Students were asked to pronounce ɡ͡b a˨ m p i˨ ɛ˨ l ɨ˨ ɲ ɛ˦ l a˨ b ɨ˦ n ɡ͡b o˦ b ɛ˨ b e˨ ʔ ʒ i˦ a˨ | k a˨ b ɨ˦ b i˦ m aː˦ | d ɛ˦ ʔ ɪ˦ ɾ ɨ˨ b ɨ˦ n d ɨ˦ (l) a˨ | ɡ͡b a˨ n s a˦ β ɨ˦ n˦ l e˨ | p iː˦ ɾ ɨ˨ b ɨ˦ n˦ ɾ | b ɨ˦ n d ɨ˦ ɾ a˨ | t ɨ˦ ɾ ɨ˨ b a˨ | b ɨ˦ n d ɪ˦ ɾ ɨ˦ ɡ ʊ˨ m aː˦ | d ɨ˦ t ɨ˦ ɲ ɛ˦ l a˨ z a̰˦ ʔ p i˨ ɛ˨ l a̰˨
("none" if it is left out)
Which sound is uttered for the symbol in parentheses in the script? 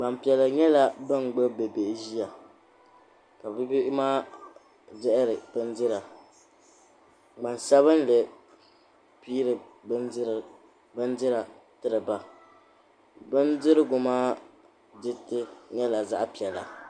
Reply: ɾ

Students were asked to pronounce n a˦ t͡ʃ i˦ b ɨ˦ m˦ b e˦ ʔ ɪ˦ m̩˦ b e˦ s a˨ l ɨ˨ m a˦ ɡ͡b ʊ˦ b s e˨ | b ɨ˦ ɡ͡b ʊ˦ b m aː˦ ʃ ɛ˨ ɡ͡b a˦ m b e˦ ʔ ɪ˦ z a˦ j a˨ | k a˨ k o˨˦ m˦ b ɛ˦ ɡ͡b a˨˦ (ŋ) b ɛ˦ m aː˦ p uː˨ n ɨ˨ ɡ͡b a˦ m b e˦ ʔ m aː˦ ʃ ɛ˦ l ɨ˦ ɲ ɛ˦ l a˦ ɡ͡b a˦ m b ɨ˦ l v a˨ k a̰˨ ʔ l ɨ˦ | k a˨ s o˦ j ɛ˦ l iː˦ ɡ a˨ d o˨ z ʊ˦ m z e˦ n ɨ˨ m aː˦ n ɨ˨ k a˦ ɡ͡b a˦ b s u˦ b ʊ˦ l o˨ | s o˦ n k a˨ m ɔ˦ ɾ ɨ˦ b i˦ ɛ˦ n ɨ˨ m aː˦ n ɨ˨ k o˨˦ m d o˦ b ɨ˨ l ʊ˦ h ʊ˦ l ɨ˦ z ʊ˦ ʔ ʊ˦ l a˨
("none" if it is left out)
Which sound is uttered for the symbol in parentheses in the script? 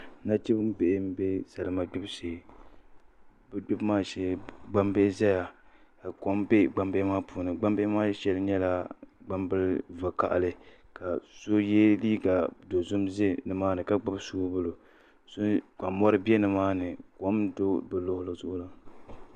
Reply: m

